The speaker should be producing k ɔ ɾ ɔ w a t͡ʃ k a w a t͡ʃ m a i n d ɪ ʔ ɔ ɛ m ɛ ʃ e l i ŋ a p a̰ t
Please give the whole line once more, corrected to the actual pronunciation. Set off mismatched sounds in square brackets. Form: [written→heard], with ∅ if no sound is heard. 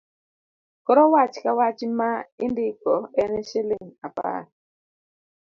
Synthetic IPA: k ɔ ɾ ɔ w a t͡ʃ k a w a t͡ʃ m a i n d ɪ [ʔ→k] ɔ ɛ [m→n] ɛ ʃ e l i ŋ a p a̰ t